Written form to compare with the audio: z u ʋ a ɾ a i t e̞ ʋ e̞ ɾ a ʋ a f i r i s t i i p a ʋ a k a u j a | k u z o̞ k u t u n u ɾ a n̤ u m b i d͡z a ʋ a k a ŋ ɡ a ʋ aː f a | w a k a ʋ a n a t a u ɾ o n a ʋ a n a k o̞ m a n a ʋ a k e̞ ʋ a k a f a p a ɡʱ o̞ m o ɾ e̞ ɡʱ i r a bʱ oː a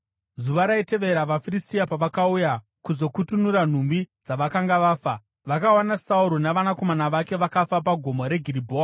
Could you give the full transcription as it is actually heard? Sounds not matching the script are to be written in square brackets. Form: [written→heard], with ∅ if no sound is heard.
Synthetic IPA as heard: z u ʋ a ɾ a i t e̞ ʋ e̞ ɾ a ʋ a f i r i s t i [i→a] p a ʋ a k a u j a | k u z o̞ k u t u n u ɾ a n̤ u m b i d͡z a ʋ a k a ŋ ɡ a ʋ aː f a | [w→ʋ] a k a [ʋ→w] a n a [t→s] a u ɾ o n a ʋ a n a k o̞ m a n a ʋ a k e̞ ʋ a k a f a p a ɡʱ o̞ m o ɾ e̞ ɡʱ i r [a→i] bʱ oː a